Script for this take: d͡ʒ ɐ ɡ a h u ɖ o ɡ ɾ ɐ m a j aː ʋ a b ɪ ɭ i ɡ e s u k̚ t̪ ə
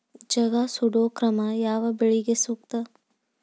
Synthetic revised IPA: d͡ʒ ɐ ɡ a s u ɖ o k ɾ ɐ m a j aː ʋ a b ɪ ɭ i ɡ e s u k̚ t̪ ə